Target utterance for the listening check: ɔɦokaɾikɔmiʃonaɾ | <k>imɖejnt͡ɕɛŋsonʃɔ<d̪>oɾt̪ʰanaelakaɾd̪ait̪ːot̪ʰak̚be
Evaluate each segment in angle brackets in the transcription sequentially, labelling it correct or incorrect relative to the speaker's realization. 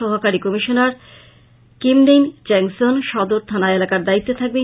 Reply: correct, correct

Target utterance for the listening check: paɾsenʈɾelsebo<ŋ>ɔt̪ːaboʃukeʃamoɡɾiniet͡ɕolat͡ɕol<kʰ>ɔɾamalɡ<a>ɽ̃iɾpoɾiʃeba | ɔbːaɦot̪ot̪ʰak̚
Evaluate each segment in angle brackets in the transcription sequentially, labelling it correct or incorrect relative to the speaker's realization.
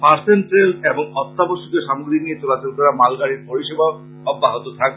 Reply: correct, incorrect: k, correct

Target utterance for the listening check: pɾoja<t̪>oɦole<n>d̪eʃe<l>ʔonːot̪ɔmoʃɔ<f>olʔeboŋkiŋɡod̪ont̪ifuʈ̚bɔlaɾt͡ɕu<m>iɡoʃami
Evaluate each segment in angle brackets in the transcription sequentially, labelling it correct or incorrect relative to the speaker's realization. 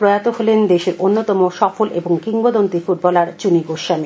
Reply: correct, correct, incorrect: ɾ, correct, incorrect: n

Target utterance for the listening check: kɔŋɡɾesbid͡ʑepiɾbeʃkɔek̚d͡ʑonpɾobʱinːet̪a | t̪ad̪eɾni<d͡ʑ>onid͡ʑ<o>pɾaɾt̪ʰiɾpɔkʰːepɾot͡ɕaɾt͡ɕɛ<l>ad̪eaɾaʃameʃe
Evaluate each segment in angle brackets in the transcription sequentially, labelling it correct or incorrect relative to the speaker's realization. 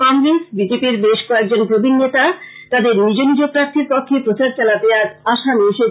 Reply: correct, correct, correct

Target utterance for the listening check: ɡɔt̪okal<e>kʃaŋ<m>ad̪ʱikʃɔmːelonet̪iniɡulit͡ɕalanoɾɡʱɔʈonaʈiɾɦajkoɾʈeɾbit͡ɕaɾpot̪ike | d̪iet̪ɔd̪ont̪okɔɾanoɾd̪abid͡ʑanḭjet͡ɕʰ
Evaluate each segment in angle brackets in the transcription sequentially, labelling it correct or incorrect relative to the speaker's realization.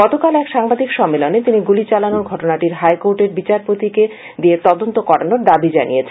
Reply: incorrect: ɛ, incorrect: b

